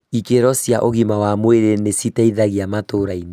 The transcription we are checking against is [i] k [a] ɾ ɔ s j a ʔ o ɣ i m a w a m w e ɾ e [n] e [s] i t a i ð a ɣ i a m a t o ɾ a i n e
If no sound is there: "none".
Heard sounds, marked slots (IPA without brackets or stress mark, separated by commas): i, e, n, s